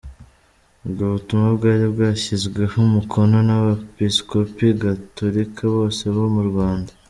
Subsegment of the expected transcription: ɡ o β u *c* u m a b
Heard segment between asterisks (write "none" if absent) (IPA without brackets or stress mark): t